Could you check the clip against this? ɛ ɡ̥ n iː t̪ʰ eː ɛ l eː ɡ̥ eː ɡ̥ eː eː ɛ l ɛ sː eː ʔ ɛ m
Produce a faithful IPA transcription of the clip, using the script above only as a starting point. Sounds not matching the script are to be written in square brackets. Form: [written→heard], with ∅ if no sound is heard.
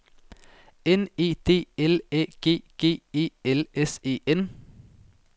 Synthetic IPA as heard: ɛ [ɡ̥→∅] n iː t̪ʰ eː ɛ l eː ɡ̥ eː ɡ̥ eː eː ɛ l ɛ [sː→s] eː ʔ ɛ [m→n]